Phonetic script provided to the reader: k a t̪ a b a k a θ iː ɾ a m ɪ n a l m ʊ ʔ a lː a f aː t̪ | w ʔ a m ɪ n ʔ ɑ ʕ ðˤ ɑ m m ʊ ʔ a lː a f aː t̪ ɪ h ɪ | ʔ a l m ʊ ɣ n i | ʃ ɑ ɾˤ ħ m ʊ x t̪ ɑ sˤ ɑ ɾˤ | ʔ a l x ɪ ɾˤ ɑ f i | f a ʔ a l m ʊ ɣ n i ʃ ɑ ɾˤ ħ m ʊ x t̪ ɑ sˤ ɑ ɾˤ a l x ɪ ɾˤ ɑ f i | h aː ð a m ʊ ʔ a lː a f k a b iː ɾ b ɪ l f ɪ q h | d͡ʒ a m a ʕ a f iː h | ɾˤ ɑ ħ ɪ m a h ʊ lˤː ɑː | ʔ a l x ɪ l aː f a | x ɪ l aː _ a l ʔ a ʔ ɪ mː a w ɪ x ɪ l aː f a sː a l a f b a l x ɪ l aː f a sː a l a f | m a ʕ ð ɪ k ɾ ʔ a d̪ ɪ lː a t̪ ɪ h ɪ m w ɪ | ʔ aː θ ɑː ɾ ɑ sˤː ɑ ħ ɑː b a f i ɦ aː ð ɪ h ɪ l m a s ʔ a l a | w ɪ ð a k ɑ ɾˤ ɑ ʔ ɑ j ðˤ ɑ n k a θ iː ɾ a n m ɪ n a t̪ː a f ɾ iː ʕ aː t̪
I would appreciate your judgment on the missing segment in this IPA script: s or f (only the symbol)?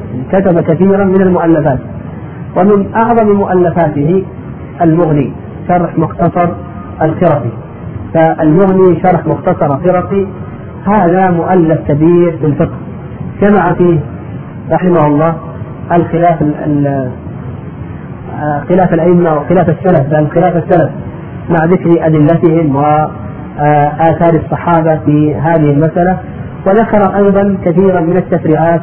f